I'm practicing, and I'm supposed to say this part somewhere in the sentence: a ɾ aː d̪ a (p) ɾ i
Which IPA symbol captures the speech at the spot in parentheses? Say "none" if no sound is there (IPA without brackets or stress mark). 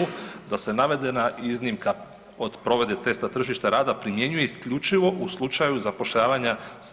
p